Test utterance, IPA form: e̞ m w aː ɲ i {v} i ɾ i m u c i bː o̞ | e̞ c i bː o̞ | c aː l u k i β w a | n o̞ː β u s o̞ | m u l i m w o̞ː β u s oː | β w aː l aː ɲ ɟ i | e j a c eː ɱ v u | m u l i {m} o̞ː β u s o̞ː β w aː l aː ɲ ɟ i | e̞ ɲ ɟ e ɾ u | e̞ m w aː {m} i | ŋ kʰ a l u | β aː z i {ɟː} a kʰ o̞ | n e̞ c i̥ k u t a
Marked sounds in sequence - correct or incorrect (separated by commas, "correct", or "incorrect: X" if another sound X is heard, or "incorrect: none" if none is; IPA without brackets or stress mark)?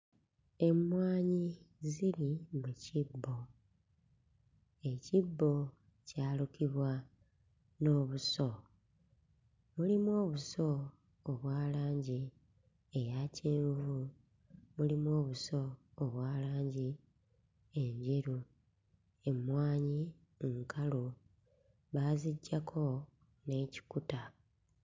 incorrect: z, correct, incorrect: ɲ, correct